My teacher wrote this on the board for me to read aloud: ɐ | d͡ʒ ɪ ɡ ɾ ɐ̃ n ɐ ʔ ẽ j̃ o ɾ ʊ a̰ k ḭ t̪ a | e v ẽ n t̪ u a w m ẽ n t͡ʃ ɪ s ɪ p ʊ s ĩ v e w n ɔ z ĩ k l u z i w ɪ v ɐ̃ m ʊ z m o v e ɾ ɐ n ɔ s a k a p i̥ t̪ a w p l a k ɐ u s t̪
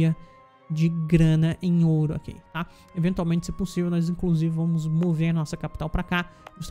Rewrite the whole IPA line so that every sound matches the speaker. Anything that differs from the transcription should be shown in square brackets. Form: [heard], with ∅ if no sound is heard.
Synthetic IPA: ɐ | d͡ʒ ɪ ɡ ɾ ɐ̃ n ɐ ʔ ẽ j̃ o ɾ ʊ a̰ k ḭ t̪ a | e v ẽ n t̪ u a w m ẽ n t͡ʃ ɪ s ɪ p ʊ s [i] v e w n ɔ z ĩ k l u z i [v] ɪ v ɐ̃ m ʊ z m o v e ɾ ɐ n ɔ s [ɐ] k a p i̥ t̪ a w p [ɾ] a k [a] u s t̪